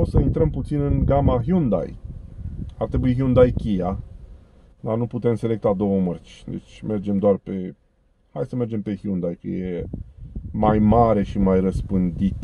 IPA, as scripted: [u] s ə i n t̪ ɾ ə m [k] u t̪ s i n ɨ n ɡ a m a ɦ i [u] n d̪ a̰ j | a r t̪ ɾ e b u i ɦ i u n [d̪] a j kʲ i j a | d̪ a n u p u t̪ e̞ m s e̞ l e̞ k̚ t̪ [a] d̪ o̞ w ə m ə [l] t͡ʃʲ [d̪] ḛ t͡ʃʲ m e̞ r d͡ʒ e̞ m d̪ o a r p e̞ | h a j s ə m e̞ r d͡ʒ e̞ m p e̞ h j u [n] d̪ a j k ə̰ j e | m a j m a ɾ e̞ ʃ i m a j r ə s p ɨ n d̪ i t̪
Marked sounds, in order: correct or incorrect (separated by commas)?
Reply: incorrect, incorrect, correct, correct, correct, incorrect, correct, correct